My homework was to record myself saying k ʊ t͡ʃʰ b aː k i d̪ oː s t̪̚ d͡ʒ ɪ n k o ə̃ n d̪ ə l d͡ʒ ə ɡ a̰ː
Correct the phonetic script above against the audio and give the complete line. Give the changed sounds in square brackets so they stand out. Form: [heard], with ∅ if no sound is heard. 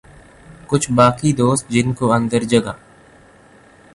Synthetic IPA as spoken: k ʊ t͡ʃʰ b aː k i d̪ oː s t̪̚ d͡ʒ ɪ n k o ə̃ n d̪ ə [ɾ] d͡ʒ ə ɡ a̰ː